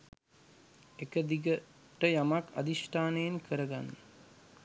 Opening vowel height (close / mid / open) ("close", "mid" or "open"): mid